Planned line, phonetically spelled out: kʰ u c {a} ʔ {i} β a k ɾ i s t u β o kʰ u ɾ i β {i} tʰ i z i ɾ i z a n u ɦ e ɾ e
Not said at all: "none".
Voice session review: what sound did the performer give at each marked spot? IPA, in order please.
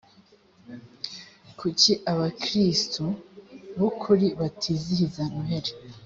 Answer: i, a, a

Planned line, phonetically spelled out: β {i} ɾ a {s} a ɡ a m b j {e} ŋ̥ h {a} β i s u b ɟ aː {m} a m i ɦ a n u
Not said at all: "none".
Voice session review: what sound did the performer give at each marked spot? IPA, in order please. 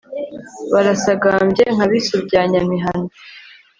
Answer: a, s, e, a, ɲ

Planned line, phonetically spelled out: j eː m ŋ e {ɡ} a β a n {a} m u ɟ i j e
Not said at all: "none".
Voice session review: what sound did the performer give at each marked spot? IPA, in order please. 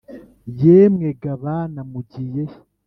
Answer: ɡ, a

